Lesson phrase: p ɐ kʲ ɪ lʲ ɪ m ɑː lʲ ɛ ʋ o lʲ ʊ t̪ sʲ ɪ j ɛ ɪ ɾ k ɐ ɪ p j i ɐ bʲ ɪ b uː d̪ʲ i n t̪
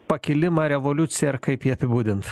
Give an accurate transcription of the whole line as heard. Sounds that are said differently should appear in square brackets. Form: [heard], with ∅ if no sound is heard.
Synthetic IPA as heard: p ɐ kʲ ɪ lʲ ɪ m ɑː [ɾʲ] ɛ ʋ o lʲ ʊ t̪ sʲ ɪ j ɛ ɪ ɾ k ɐ ɪ p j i ɐ [pʲ] ɪ b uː d̪ʲ [ɪ] n t̪

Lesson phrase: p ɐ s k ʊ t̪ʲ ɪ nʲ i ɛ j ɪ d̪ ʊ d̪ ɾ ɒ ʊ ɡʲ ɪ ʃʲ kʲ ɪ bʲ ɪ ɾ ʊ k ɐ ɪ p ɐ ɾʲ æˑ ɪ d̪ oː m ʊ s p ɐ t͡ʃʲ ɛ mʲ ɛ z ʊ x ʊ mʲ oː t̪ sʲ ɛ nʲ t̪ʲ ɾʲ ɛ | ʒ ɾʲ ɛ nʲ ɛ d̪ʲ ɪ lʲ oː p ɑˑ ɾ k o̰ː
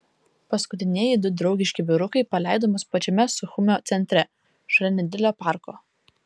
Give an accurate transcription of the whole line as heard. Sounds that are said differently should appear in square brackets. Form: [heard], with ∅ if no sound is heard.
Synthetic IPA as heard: p ɐ s k ʊ t̪ʲ ɪ nʲ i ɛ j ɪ d̪ ʊ d̪ ɾ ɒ ʊ ɡʲ ɪ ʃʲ kʲ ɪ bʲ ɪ ɾ ʊ k ɐ ɪ p ɐ [lʲ] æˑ ɪ d̪ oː m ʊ s p ɐ t͡ʃʲ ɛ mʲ ɛ [s] ʊ x ʊ mʲ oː t̪ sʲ ɛ nʲ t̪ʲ ɾʲ ɛ | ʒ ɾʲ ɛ nʲ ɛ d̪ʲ ɪ lʲ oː p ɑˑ ɾ k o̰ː

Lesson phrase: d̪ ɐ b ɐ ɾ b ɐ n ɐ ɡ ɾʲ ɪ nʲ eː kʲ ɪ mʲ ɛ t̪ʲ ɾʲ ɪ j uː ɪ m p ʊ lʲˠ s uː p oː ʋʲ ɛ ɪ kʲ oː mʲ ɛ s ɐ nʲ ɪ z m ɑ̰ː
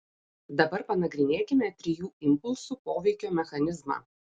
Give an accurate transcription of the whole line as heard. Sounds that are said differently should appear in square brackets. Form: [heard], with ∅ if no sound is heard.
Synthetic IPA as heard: d̪ ɐ b ɐ ɾ [p] ɐ n ɐ ɡ ɾʲ ɪ nʲ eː kʲ ɪ mʲ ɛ t̪ʲ ɾʲ ɪ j uː ɪ m p ʊ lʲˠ s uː p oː ʋʲ ɛ ɪ kʲ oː mʲ ɛ [x] ɐ nʲ ɪ z m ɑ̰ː

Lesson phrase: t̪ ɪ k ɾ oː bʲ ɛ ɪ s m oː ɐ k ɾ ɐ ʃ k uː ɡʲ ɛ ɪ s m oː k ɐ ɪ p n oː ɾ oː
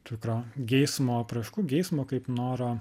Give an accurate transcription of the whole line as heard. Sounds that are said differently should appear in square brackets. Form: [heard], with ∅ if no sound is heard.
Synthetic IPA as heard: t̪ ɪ k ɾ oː [ɡʲ] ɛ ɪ s m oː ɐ [p] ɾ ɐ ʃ k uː ɡʲ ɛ ɪ s m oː k ɐ ɪ p n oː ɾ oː

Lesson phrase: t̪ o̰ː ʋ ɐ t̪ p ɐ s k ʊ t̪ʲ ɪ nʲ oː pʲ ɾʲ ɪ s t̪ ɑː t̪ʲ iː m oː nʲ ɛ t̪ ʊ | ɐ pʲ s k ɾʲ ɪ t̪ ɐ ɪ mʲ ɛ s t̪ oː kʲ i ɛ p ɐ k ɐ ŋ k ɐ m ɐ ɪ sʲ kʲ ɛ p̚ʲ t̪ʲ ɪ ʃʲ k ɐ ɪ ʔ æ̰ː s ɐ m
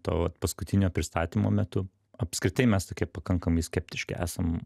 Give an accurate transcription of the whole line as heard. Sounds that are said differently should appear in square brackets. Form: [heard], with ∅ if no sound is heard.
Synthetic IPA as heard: t̪ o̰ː ʋ ɐ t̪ p ɐ s k ʊ t̪ʲ ɪ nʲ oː pʲ ɾʲ ɪ s t̪ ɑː t̪ʲ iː m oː [mʲ] ɛ t̪ ʊ | ɐ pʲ s k ɾʲ ɪ t̪ ɐ ɪ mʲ ɛ s t̪ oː kʲ i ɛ p ɐ k ɐ ŋ k ɐ m ɐ ɪ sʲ kʲ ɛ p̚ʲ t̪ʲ ɪ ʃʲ k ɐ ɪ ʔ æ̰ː s ɐ m

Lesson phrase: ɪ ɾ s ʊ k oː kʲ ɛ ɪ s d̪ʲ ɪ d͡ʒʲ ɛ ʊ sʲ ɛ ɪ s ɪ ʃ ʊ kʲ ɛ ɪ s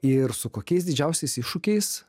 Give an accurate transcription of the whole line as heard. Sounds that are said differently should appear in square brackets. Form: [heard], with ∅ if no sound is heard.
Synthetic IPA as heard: ɪ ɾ s ʊ k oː kʲ ɛ ɪ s d̪ʲ ɪ d͡ʒʲ ɛ ʊ sʲ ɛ ɪ s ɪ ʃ ʊ kʲ ɛ ɪ s

